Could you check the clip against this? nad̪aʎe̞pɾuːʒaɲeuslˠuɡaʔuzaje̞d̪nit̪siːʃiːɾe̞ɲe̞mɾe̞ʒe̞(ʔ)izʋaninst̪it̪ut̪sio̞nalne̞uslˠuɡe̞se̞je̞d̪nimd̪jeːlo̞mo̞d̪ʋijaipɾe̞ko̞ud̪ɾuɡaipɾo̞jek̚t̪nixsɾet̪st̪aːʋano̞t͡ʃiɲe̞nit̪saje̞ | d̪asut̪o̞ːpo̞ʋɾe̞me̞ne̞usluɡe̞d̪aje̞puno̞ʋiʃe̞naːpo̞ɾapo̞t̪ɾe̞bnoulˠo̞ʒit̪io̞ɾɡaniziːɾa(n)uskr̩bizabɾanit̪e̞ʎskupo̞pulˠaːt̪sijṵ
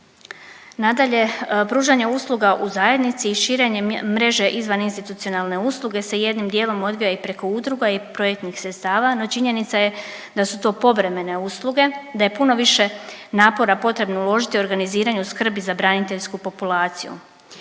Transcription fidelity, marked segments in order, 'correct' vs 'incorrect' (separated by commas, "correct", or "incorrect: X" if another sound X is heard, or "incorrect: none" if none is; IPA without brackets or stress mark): correct, incorrect: ɲ